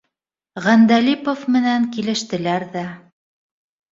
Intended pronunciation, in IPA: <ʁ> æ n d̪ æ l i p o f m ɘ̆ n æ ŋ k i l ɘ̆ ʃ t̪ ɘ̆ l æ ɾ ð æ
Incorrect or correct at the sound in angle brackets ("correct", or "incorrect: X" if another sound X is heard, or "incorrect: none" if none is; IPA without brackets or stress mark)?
correct